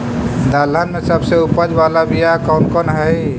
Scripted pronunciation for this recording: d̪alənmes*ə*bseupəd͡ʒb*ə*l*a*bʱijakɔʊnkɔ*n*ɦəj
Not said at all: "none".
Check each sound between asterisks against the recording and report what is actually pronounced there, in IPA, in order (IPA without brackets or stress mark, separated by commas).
ə, a, a, n